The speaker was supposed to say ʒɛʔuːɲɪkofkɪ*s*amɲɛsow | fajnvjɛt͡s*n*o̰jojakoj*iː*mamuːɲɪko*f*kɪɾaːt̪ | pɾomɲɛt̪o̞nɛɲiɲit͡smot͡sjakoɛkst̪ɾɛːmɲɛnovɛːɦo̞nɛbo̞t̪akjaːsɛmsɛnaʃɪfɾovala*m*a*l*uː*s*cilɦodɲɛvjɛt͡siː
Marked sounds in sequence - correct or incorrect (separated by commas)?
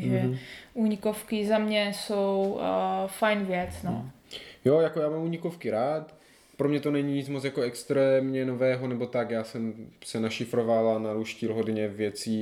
incorrect, correct, incorrect, correct, incorrect, incorrect, incorrect